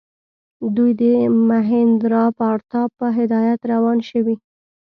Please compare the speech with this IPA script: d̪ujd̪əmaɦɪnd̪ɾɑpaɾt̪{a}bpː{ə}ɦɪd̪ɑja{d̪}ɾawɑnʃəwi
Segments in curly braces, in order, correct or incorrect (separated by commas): incorrect, correct, incorrect